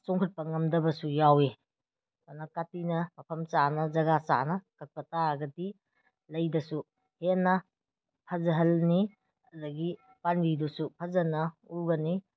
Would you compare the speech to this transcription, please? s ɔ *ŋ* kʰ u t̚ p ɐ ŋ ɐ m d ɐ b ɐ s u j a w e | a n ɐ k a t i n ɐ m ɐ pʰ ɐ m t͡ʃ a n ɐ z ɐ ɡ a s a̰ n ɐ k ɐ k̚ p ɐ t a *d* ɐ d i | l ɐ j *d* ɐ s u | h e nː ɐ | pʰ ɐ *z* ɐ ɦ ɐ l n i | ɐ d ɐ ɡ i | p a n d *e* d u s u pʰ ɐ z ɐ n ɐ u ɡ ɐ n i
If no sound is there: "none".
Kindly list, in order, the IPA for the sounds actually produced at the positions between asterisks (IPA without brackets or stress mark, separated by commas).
ŋ, ɡ, d, z, i